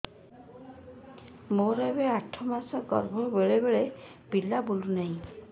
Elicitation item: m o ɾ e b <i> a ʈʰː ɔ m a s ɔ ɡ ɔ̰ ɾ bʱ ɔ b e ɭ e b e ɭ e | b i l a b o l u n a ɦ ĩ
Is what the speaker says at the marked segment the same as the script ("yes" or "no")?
no